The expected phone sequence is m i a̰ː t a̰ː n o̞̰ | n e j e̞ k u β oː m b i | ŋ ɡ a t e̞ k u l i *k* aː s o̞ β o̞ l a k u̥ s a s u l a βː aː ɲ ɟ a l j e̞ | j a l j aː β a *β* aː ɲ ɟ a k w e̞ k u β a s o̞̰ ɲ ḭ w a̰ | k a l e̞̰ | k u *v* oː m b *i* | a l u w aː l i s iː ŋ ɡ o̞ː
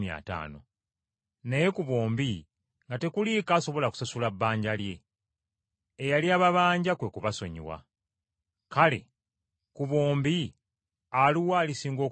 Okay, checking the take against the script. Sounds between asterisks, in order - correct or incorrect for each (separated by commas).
correct, correct, incorrect, correct